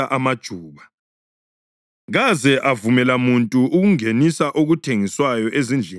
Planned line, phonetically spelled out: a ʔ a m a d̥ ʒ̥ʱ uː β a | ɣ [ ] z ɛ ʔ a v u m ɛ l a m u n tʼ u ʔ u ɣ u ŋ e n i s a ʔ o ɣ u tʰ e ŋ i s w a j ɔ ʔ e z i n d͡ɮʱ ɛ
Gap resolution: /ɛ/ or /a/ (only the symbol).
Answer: a